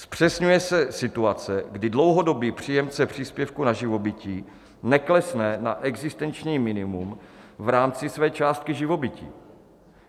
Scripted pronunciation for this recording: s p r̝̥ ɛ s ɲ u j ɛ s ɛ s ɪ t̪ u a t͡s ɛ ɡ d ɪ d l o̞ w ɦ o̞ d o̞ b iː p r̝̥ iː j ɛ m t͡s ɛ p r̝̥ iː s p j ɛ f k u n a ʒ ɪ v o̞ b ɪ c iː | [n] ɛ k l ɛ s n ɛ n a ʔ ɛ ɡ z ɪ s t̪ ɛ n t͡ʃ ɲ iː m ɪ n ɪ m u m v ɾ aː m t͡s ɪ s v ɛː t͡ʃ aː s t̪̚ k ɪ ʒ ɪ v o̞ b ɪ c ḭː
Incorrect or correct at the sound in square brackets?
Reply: correct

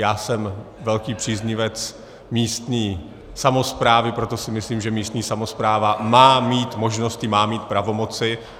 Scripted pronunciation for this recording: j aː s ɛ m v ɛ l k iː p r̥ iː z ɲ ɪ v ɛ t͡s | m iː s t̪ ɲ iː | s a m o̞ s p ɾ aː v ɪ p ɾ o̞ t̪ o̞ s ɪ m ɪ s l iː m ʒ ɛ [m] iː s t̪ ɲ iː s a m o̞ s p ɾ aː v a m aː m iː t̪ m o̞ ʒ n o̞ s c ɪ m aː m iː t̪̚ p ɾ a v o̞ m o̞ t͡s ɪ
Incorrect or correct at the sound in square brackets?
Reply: correct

